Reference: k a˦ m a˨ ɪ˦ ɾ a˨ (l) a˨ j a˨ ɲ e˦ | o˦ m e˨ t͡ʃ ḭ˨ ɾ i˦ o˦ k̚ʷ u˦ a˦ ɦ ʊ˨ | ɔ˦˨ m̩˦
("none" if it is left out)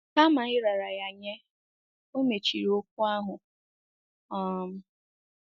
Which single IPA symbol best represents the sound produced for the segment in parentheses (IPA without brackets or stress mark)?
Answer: ɾ